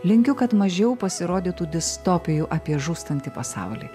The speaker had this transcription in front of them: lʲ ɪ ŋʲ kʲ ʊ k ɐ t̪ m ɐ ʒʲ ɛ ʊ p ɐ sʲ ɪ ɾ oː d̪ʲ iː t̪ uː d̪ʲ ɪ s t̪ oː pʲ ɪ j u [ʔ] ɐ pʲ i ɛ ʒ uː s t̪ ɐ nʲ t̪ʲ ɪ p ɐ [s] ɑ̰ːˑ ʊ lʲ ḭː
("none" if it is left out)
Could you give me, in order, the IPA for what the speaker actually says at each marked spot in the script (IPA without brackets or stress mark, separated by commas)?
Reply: ʔ, s